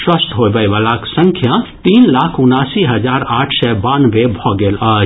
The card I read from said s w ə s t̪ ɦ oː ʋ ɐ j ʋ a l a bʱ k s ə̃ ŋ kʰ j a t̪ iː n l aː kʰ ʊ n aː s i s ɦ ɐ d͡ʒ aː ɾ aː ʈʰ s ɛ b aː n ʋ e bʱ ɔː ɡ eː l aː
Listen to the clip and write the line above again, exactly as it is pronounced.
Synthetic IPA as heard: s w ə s t̪ ɦ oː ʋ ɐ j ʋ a l a k s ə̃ ŋ kʰ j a t̪ iː n l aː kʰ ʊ n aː s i ɦ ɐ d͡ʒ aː ɾ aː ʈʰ s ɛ b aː n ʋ e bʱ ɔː ɡ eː l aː